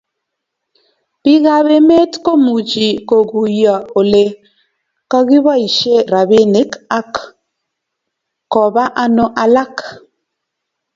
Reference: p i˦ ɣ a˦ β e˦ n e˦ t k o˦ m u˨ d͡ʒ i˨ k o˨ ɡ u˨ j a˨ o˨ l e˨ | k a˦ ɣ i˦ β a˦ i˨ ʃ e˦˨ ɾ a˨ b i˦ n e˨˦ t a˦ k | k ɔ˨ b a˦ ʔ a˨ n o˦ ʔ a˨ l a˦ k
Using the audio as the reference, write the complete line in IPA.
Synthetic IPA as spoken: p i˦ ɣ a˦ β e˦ m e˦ t k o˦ m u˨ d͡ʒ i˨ k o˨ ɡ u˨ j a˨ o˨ l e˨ | k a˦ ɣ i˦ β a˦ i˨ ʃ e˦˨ ɾ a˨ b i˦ n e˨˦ k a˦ k | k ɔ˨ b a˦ ʔ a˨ n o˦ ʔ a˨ l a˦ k